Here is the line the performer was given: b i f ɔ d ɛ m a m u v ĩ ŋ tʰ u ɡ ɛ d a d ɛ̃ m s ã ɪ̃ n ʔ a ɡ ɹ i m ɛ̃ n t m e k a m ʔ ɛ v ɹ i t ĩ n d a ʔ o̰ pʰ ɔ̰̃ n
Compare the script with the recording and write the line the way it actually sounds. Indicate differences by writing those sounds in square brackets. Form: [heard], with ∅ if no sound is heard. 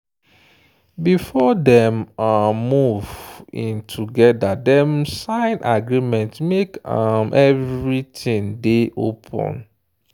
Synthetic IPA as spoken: b i f ɔ d ɛ m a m u v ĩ [n] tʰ u ɡ ɛ d a d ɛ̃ m s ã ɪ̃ n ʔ a ɡ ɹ i m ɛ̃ n t m e k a m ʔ ɛ v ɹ i t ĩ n d [e] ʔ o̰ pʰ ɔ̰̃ n